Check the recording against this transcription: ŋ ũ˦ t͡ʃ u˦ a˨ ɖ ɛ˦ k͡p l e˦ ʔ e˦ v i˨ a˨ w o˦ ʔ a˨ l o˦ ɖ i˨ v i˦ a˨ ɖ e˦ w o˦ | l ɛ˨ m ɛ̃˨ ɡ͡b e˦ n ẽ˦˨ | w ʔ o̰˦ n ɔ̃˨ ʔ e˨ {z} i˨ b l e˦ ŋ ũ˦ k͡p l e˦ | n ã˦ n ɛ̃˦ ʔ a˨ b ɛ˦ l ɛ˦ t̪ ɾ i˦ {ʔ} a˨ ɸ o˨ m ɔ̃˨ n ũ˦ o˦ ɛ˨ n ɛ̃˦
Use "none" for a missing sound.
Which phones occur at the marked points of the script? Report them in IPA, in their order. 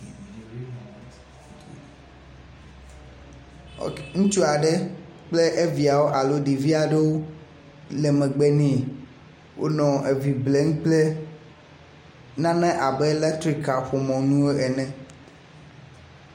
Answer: v, k

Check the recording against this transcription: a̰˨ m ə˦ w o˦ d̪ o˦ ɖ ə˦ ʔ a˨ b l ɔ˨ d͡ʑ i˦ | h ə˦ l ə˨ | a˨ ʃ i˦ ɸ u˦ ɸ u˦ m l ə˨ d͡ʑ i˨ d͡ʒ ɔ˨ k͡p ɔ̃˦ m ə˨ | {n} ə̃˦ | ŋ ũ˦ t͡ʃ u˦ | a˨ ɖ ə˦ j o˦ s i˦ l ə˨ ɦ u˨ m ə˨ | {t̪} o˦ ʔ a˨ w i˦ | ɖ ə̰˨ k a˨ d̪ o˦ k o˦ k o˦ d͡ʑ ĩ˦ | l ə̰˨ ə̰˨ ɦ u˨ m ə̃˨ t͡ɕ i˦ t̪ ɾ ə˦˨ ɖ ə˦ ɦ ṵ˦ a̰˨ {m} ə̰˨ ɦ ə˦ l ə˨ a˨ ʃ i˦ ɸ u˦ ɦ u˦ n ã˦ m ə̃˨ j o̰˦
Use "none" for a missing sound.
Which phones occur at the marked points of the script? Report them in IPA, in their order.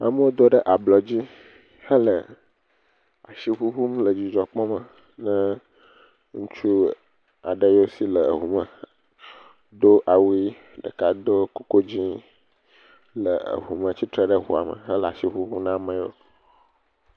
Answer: n, d̪, m

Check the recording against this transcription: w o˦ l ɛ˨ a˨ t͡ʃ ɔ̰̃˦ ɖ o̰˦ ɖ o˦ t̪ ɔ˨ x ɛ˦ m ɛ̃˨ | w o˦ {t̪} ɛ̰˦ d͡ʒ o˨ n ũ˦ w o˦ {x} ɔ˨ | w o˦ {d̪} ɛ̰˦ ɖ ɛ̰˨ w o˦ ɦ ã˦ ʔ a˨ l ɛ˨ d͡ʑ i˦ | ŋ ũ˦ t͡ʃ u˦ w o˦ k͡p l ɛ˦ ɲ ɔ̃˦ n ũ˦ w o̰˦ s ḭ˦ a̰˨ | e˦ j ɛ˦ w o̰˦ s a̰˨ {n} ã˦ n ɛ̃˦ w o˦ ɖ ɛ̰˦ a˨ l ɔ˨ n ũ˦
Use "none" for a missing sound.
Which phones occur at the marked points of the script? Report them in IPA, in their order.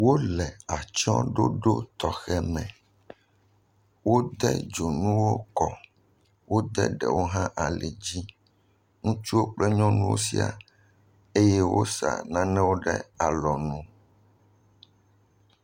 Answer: d̪, k, d̪, n

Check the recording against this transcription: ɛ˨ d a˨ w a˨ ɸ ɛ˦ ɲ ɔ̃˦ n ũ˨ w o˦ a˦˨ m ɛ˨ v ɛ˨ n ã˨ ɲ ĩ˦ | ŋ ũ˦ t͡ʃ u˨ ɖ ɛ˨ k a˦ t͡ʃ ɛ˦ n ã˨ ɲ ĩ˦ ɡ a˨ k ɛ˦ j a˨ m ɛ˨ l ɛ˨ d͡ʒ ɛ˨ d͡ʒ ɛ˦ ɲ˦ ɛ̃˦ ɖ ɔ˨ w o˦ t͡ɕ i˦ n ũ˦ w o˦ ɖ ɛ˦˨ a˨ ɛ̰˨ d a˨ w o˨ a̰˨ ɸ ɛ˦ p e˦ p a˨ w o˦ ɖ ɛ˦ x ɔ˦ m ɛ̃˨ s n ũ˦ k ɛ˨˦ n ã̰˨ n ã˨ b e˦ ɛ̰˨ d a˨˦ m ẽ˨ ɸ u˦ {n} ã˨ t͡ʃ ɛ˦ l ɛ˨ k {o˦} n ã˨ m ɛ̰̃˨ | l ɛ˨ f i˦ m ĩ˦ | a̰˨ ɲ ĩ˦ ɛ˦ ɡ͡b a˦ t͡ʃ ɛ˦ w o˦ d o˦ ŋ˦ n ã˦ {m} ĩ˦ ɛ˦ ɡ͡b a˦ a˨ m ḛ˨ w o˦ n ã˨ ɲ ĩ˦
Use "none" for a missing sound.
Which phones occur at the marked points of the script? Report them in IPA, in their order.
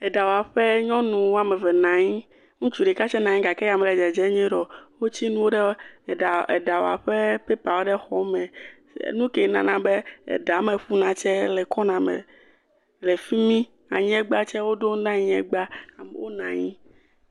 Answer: n, ɔ˦, ɲ

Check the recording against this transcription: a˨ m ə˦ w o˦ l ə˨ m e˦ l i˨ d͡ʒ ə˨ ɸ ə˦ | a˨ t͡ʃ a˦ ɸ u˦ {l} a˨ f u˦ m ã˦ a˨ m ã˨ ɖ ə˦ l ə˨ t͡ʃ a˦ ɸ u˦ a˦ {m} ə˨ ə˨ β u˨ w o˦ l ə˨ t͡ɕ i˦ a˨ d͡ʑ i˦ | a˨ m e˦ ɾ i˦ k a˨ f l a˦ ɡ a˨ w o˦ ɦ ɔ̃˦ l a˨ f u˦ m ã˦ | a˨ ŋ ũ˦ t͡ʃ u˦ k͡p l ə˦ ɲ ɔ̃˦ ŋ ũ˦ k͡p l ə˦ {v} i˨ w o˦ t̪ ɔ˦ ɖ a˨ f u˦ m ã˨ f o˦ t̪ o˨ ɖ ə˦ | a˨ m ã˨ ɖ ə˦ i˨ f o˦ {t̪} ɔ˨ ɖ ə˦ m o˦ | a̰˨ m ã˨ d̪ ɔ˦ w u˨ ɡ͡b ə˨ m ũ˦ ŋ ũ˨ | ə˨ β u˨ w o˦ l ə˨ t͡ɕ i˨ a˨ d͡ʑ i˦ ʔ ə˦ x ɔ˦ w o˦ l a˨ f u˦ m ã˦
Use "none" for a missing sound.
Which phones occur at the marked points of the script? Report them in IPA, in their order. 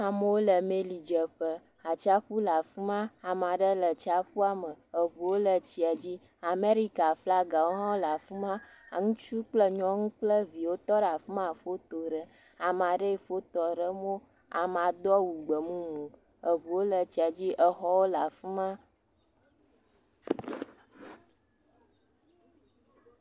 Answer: l, m, v, t̪

